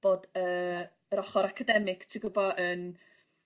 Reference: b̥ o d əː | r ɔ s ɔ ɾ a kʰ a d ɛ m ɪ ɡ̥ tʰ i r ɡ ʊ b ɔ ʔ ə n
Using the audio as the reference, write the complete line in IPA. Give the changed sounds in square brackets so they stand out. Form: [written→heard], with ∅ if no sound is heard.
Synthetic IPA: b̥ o d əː | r ɔ [s→χ] ɔ ɾ a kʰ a d ɛ m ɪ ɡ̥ tʰ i [r→∅] ɡ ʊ b ɔ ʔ ə n